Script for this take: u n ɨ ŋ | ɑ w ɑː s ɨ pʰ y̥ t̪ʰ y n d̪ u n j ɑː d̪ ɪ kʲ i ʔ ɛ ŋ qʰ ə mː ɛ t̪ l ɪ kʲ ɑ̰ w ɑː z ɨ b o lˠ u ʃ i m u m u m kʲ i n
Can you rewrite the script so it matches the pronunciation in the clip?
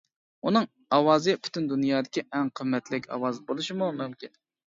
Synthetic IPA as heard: u n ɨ ŋ | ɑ w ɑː z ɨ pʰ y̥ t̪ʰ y n d̪ u n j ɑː d̪ ɪ kʲ i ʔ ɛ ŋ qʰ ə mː ɛ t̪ l ɪ kʲ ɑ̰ w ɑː z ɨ b o lˠ u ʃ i m u m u m kʲ i n